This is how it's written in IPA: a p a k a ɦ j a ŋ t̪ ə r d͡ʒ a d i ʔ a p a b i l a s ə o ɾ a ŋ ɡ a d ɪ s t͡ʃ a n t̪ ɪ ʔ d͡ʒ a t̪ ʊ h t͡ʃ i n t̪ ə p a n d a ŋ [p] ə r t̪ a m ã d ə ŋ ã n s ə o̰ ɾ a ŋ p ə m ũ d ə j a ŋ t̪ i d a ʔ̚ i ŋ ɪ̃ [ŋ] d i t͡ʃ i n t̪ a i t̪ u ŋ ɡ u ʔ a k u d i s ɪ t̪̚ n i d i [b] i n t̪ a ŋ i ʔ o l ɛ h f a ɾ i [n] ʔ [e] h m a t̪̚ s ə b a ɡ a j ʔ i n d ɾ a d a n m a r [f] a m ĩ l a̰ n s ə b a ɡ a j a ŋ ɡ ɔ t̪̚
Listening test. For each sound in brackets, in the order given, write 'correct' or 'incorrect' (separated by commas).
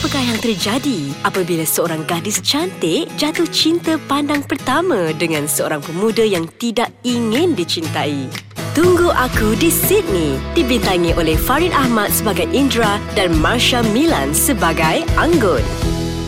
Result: correct, incorrect, correct, correct, incorrect, incorrect